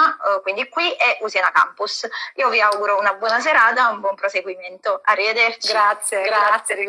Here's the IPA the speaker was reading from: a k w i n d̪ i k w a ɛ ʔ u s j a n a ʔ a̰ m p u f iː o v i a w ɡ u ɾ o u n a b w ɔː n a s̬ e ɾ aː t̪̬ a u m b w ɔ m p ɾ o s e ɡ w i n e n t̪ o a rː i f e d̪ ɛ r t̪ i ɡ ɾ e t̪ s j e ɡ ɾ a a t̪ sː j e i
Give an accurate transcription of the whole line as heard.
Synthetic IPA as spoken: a k w i n d̪ i k w i ɛ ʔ u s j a n a k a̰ m p u s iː o v i a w ɡ u ɾ o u n a b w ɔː n a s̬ e ɾ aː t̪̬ a u m b w ɔ m p ɾ o s e ɡ w i m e n t̪ o a rː i v e d̪ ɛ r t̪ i ɡ ɾ a t̪ s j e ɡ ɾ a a t̪ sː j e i